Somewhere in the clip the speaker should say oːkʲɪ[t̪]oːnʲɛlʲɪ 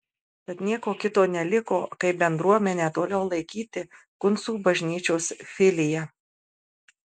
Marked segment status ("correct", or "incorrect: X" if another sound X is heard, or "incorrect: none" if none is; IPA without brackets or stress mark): correct